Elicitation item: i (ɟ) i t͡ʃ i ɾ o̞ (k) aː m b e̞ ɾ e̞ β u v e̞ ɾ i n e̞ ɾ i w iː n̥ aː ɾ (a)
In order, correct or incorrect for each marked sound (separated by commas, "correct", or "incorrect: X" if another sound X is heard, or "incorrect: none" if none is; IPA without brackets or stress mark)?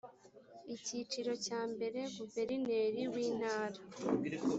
incorrect: c, incorrect: c, correct